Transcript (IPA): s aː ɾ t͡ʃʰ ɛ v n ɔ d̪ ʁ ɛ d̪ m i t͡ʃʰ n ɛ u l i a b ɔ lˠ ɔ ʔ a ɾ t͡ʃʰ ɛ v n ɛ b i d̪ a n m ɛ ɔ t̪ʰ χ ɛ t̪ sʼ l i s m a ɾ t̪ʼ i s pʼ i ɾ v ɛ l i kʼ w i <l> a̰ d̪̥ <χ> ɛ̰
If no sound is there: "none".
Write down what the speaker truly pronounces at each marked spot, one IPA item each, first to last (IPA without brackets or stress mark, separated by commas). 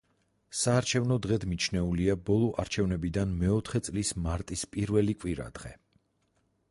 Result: ɾ, ʁ